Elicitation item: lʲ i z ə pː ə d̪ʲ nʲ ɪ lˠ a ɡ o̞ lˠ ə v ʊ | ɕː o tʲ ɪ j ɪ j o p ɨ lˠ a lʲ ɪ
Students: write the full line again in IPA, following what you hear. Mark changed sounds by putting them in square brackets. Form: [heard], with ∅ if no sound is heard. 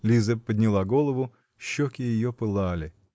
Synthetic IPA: lʲ i z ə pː ə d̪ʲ nʲ ɪ lˠ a ɡ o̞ lˠ ə v ʊ | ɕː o [kʲ] ɪ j ɪ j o p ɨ lˠ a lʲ ɪ